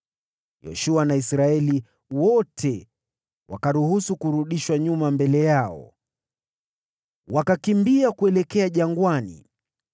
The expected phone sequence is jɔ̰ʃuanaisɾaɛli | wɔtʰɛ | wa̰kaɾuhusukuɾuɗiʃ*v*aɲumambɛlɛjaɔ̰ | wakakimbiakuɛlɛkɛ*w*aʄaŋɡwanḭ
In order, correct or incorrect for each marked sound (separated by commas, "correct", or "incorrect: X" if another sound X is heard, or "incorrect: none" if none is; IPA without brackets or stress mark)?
incorrect: w, incorrect: none